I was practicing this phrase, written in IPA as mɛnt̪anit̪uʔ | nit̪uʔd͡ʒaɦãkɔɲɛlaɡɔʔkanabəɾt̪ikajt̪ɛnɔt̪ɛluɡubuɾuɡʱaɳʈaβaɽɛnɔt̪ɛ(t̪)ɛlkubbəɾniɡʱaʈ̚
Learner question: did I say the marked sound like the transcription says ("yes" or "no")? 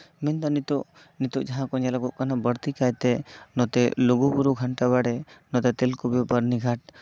yes